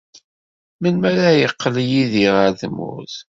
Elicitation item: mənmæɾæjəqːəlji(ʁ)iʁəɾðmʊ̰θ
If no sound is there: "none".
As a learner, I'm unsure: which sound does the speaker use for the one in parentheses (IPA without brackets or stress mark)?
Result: ð